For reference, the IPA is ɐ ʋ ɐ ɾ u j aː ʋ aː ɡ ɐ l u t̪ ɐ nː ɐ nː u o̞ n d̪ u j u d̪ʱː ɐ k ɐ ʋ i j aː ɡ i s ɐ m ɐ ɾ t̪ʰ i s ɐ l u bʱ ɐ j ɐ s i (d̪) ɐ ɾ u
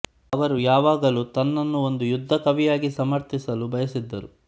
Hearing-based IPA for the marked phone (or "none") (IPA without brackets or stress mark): d̪ː